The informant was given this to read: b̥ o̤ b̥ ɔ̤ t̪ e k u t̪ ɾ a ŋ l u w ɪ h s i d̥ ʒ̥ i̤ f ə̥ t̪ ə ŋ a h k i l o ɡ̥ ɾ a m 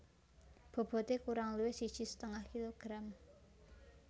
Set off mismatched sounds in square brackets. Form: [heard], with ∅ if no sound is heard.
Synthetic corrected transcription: b̥ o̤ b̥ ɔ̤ t̪ e k u [∅] ɾ a ŋ l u w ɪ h s i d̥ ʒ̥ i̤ [s] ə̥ t̪ ə ŋ a h k i l o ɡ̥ ɾ a m